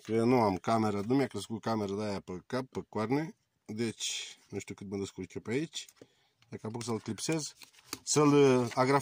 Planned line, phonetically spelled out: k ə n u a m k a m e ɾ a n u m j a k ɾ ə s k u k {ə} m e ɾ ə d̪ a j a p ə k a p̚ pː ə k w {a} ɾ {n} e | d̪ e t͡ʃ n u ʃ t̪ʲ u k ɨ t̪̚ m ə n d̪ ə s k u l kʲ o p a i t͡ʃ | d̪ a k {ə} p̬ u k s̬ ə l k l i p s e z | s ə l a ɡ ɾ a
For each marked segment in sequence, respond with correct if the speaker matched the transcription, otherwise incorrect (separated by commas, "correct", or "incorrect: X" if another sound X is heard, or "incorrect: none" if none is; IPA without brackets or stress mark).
incorrect: a, correct, correct, incorrect: a